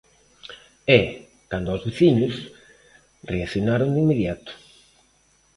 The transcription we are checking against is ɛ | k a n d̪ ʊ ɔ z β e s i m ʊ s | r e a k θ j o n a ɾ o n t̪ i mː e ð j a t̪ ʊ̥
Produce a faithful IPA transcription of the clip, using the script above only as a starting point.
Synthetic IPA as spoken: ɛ | k a n d̪ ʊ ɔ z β e θ i ɲ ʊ s | r e a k θ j o n a ɾ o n d̪ i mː e ð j a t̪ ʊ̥

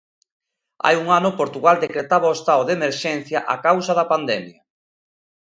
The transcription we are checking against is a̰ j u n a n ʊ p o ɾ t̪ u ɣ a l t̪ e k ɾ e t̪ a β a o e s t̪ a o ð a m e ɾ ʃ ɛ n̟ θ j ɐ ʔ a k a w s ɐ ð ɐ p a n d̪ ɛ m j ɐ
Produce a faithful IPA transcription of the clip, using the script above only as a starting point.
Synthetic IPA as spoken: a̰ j u ŋ a n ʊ p o ɾ t̪ u ɣ a l d̪ e k ɾ e t̪ a β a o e s t̪ a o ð e m e ɾ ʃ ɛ n̟ θ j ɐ ʔ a k a w s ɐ ð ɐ p a n d̪ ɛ m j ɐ

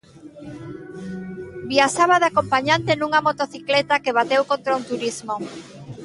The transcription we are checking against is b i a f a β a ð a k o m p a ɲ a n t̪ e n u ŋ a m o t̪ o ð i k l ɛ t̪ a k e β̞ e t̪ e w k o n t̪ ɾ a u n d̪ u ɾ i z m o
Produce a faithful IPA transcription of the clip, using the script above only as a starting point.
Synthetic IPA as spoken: b i a ʃ a β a ð a k o m p a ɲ a n t̪ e n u ŋ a m o t̪ o θ i k l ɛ t̪ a k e β̞ a t̪ e w k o n t̪ ɾ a u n t̪ u ɾ i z m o

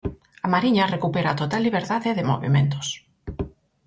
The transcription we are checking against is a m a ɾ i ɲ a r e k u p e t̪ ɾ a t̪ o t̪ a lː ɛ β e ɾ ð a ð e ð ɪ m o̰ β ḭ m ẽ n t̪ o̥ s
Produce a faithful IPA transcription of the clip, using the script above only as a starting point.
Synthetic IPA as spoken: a m a ɾ i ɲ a r e k u p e ɾ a t̪ o t̪ a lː i β e ɾ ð a ð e ð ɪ m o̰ β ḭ m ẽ n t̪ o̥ s

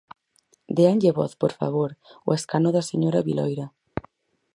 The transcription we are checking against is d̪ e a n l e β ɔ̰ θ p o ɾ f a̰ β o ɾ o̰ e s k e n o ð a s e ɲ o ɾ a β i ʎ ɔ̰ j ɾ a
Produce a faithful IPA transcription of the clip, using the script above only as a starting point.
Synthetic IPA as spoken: d̪ e a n ʎ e β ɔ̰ θ p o ɾ f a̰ β o ɾ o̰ e s k a n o ð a s e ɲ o ɾ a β i l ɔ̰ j ɾ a

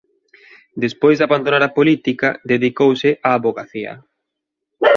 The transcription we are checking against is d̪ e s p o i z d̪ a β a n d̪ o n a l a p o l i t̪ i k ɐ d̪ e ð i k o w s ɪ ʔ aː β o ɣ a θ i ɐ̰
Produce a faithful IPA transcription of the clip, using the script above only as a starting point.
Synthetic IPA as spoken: d̪ e s p o j z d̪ a β a n d̪ o n a ɾ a p o l i t̪ i k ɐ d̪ e ð i k o w s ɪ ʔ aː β o ɣ a θ i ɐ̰

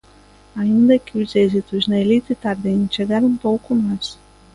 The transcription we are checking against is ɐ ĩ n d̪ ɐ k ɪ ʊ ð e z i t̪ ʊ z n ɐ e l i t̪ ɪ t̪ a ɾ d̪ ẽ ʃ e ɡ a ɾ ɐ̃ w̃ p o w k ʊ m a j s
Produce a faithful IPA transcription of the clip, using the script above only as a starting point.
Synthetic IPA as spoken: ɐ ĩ n d̪ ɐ k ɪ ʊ z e z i t̪ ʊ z n ɐ e l i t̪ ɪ t̪ a ɾ d̪ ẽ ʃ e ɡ a ɾ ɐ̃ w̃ p o w k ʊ m a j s

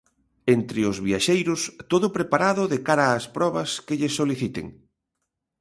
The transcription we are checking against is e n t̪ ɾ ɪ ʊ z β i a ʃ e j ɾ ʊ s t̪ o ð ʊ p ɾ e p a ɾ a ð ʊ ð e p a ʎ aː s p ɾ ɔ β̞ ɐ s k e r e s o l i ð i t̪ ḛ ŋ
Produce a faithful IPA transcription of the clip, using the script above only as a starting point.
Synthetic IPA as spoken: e n t̪ ɾ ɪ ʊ z β i a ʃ e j ɾ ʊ s t̪ o ð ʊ p ɾ e p a ɾ a ð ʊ ð e k a ɾ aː s p ɾ ɔ β̞ ɐ s k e ʎ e s o l i θ i t̪ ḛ ŋ

